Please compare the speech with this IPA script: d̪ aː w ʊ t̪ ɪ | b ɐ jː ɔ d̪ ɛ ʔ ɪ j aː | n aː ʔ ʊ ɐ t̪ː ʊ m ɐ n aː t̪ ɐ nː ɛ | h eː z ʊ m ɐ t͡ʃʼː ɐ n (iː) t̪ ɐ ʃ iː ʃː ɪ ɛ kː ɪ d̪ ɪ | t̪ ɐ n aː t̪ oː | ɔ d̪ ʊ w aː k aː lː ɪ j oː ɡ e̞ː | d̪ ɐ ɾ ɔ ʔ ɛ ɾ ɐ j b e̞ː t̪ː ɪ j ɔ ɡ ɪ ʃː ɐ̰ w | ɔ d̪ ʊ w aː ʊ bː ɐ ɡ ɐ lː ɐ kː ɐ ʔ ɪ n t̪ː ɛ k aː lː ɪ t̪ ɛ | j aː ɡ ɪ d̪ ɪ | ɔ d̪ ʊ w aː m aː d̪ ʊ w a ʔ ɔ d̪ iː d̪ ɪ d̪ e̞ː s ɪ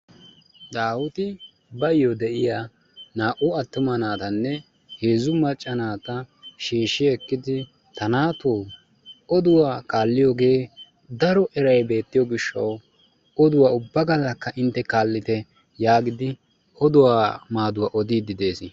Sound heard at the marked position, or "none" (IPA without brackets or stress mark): aː